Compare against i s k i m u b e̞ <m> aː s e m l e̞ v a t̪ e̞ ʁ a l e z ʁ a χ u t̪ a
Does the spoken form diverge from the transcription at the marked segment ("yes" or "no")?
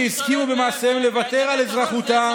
no